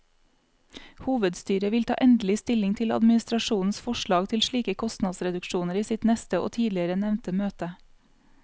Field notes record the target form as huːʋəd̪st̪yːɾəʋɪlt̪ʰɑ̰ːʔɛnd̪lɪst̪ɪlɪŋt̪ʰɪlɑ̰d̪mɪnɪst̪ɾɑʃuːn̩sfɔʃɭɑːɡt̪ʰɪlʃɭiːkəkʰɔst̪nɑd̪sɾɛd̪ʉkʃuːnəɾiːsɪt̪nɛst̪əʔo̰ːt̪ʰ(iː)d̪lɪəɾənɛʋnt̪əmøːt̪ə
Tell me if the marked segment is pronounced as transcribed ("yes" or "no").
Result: yes